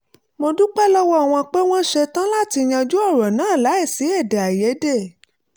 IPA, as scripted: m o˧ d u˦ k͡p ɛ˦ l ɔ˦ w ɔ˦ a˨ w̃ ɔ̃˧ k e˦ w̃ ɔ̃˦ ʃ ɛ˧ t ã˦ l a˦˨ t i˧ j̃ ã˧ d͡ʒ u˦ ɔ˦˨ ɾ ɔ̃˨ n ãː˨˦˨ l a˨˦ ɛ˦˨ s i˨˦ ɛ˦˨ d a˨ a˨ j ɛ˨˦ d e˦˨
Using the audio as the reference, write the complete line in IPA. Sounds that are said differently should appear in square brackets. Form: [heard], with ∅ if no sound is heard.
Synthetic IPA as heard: m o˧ d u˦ k͡p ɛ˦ l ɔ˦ w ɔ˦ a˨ w̃ ɔ̃˧ [k͡p] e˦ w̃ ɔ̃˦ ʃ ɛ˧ t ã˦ l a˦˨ t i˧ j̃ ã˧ d͡ʒ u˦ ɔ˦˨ ɾ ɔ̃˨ n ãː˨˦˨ l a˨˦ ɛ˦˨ s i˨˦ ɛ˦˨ d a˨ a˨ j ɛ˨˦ d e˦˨